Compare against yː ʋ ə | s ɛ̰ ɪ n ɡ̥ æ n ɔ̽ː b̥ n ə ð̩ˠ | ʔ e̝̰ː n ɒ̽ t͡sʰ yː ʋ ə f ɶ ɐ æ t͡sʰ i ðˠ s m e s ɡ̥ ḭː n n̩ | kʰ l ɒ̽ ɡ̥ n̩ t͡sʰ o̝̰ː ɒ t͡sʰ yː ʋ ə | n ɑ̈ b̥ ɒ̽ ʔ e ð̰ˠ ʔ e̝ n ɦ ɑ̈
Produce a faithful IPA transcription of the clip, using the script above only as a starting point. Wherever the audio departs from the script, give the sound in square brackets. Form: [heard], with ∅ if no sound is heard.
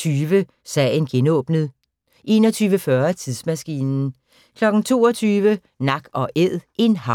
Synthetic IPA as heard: yː ʋ ə | s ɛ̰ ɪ n ɡ̥ [e] n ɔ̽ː b̥ n ə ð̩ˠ | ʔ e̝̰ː n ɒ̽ t͡sʰ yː ʋ ə f ɶ ɐ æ t͡sʰ i ðˠ s m [æ] s ɡ̥ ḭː n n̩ | kʰ l ɒ̽ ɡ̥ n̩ t͡sʰ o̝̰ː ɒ t͡sʰ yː ʋ ə | n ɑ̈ [ɡ̥] ɒ̽ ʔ e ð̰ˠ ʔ e̝ n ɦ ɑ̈